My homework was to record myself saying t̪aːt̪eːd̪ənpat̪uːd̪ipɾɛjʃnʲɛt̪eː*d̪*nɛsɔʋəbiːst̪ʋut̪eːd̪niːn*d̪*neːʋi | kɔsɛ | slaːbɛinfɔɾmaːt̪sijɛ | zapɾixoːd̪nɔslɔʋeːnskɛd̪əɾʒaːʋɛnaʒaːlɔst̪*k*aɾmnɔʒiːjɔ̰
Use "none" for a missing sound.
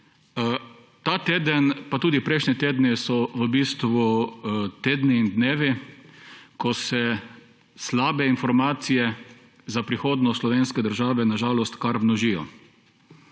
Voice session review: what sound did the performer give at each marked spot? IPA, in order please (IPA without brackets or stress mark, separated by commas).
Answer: d̪, d̪, k